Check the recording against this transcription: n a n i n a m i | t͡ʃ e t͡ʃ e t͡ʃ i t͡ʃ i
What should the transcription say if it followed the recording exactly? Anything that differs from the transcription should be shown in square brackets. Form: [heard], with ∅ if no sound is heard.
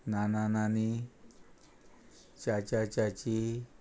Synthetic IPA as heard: n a n [a] n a [n] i | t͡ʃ [a] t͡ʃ [a] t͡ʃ [a] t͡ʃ i